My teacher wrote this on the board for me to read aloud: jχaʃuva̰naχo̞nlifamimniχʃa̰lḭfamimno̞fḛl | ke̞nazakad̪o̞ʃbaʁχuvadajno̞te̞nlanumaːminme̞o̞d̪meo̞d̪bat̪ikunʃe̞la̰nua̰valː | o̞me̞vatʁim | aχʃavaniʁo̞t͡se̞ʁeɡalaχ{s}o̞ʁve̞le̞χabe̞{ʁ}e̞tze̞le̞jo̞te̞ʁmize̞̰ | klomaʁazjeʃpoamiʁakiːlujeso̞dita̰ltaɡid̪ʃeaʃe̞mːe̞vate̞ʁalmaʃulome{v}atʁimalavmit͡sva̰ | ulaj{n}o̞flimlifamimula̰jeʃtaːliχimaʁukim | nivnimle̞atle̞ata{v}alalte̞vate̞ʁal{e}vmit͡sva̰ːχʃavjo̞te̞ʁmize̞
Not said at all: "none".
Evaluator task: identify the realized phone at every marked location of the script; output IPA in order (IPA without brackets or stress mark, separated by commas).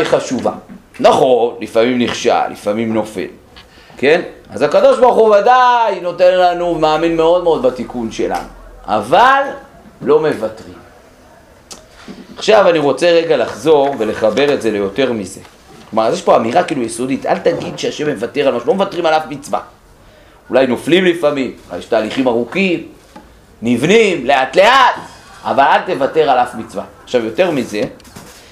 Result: z, ʁ, v, n, v, a